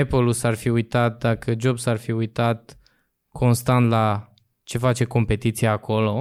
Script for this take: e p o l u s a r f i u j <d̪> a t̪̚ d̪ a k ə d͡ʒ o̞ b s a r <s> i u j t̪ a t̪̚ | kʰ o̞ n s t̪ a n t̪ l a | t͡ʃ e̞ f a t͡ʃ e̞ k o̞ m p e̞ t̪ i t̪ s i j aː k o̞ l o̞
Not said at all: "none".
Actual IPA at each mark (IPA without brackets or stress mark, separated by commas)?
t̪, f